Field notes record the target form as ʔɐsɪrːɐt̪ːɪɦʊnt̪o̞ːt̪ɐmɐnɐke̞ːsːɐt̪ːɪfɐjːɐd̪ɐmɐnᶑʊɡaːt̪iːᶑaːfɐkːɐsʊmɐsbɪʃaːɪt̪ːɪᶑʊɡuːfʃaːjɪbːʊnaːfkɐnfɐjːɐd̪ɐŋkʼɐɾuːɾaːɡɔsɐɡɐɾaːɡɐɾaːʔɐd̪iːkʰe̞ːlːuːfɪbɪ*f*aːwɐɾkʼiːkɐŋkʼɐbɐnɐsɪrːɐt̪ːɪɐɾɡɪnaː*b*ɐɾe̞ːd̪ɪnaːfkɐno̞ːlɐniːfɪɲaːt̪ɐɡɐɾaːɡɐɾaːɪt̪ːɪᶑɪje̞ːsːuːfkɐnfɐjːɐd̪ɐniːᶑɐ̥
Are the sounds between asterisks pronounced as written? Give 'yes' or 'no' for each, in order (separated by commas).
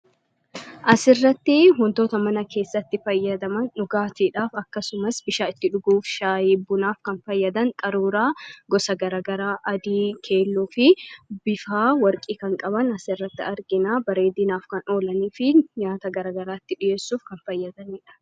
yes, yes